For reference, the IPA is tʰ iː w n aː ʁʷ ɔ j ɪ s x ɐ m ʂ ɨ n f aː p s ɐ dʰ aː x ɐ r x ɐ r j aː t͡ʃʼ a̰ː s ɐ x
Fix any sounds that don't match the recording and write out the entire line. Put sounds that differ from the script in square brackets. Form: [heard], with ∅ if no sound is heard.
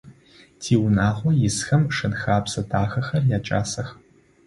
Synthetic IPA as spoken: tʰ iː w n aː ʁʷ ɔ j ɪ s x ɐ m ʂ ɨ n [x] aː p s ɐ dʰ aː x ɐ [∅] x ɐ r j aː t͡ʃʼ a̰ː s ɐ x